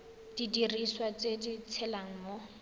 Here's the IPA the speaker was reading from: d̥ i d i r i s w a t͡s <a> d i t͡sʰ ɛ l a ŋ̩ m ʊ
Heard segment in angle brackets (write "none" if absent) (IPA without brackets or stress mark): e